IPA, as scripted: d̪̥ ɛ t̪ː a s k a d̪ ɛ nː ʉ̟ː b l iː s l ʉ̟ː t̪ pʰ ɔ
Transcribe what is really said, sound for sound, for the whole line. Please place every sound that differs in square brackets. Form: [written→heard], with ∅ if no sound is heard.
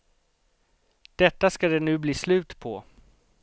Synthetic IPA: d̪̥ ɛ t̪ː a s k a d̪ ɛ [nː→n] ʉ̟ː b l iː s l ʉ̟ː t̪ pʰ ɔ